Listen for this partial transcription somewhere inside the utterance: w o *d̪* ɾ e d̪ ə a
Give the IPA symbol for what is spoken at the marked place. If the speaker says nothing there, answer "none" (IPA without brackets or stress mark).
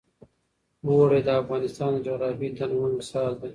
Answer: none